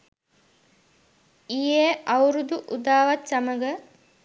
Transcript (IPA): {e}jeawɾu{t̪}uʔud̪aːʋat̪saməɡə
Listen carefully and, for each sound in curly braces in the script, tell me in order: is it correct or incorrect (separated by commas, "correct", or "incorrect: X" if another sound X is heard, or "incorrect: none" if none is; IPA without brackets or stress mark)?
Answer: incorrect: i, incorrect: d̪